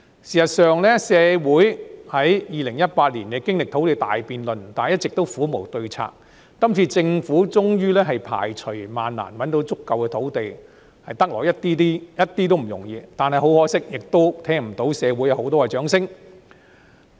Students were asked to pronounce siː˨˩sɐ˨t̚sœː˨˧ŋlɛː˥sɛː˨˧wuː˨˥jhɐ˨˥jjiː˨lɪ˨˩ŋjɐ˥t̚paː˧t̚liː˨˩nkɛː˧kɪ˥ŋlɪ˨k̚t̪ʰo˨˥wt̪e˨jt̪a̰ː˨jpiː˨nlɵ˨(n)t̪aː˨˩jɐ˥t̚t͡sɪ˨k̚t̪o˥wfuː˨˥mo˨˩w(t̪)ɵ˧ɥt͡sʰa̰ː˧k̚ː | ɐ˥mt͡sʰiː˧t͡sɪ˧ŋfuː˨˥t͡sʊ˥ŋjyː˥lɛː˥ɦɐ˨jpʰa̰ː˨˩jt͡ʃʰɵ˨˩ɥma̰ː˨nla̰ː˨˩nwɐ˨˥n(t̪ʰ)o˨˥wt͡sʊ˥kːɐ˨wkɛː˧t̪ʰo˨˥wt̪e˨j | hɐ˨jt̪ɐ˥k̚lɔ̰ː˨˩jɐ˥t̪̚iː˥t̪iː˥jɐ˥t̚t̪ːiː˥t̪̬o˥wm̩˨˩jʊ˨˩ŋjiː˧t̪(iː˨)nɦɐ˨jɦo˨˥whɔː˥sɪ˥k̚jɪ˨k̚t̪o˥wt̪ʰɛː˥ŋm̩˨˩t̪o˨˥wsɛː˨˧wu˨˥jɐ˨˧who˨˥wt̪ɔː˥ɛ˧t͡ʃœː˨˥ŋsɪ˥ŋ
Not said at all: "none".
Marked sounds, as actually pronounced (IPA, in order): n, t̪, t̪, aː˨

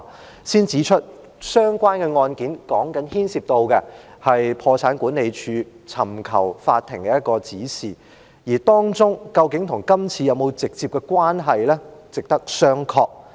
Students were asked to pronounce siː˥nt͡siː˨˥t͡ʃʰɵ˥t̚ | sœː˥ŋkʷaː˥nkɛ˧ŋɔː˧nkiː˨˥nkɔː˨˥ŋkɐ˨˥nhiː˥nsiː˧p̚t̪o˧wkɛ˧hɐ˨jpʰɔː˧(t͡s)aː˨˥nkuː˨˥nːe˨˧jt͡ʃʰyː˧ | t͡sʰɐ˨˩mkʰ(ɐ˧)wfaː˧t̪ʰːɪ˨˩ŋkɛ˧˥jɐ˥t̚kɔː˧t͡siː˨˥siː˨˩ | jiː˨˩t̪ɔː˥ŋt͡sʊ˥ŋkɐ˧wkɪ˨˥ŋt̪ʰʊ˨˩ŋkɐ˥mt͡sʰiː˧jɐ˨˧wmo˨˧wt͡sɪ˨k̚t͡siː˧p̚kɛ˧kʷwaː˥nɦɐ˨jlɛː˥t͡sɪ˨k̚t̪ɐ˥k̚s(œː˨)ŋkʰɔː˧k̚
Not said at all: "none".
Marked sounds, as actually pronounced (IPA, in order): t͡sʰ, ɐ˨˩, œː˥

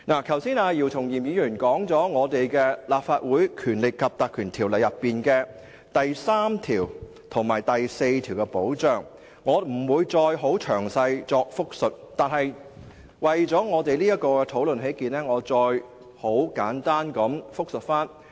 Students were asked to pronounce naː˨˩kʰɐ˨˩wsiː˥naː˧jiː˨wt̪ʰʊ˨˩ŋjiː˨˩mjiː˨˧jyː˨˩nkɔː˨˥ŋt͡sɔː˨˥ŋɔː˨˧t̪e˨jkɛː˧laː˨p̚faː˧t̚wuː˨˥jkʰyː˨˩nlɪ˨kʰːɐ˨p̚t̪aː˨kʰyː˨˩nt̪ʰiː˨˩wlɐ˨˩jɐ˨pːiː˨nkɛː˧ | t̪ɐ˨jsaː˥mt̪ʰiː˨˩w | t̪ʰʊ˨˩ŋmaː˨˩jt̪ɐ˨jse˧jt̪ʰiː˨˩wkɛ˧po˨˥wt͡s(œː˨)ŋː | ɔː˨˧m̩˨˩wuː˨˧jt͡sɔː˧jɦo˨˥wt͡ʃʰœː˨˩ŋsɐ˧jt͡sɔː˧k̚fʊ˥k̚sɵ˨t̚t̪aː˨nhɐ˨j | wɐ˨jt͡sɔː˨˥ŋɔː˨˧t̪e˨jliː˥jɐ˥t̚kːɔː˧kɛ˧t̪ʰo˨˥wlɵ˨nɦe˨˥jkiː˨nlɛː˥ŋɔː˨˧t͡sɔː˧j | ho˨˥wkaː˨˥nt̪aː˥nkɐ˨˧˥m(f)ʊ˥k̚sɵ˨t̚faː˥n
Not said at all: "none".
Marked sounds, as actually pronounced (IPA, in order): œː˨, f

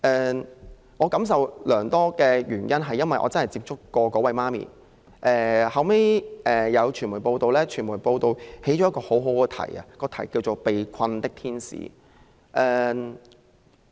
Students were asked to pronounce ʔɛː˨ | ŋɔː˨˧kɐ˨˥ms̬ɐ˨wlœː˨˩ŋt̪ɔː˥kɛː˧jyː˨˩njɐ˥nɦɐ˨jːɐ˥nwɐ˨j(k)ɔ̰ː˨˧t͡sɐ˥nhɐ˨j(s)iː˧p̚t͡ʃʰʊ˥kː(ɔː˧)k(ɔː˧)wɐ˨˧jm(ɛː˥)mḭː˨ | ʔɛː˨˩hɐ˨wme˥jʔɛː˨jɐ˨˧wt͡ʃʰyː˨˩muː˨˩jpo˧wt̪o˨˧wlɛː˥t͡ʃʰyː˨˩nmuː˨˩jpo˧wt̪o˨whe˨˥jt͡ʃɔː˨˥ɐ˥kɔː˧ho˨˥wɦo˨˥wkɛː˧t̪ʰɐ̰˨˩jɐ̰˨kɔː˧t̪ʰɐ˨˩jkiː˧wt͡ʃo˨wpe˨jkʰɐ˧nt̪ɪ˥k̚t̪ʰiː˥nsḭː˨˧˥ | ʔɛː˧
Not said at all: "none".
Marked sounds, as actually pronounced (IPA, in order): ʔ, t͡s, ɔː˧, ɔː˨˥, aː˥

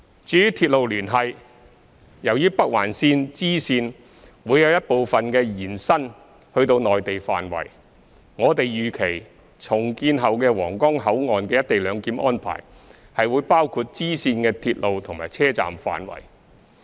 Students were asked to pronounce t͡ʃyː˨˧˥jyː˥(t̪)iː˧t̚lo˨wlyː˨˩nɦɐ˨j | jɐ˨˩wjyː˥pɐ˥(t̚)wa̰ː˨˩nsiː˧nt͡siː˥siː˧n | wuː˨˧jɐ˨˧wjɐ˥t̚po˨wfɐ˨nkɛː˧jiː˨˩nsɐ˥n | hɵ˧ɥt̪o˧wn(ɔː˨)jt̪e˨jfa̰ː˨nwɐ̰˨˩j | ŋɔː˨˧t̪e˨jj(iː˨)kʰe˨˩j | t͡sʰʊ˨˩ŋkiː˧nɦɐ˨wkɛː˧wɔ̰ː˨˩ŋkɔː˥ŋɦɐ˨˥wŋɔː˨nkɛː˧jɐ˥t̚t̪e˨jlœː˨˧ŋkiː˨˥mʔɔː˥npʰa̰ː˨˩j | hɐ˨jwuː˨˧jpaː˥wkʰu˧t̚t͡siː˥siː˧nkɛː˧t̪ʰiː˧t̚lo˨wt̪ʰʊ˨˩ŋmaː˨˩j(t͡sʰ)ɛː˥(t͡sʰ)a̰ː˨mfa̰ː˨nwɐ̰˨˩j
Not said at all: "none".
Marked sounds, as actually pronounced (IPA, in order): t̪ʰ, k̚, ɔː˨, yː˨, t͡sʰ, t͡s

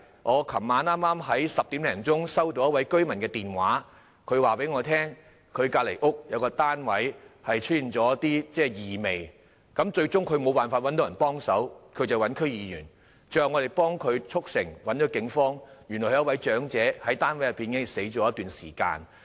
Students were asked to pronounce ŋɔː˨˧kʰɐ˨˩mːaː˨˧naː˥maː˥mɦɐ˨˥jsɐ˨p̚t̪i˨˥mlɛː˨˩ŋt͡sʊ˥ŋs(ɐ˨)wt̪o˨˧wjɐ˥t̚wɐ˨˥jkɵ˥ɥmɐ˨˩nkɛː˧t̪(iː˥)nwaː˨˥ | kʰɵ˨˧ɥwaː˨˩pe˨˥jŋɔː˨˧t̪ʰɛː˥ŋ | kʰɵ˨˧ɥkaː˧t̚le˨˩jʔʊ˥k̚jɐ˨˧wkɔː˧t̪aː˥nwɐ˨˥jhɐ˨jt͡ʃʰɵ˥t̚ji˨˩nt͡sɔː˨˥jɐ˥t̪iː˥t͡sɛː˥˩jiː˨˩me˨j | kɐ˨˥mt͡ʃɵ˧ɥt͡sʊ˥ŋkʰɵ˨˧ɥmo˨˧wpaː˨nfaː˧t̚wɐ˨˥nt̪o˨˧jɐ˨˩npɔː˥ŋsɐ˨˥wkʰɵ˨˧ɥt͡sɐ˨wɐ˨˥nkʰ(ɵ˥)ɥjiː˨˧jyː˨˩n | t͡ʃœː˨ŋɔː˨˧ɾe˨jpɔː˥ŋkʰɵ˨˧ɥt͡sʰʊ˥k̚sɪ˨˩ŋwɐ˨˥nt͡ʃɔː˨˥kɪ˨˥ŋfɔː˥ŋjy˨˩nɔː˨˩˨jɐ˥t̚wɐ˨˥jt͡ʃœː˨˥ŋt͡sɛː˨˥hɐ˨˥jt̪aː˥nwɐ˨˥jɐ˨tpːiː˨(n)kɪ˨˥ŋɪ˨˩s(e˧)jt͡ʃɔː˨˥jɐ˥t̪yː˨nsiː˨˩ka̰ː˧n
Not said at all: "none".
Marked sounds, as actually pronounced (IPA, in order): ɐ˥, iː˨˩, ɵ˥, n, e˨˥

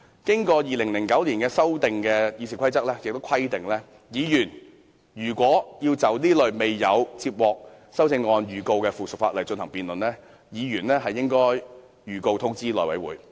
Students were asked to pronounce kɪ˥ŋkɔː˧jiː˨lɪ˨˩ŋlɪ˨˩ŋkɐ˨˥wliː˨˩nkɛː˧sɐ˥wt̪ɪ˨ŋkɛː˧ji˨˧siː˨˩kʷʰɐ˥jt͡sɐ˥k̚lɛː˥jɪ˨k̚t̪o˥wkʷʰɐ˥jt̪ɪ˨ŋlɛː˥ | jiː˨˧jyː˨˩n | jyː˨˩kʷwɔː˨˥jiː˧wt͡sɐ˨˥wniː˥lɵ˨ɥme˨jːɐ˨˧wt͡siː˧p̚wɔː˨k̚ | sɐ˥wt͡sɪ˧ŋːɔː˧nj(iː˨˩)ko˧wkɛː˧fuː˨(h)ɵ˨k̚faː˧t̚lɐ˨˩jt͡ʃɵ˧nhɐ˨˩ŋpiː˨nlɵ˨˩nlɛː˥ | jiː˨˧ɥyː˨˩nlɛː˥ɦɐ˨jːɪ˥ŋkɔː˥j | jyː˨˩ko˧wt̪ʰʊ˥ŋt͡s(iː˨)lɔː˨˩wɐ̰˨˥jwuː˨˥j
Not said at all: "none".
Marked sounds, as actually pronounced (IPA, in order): yː˨˩, s, iː˥

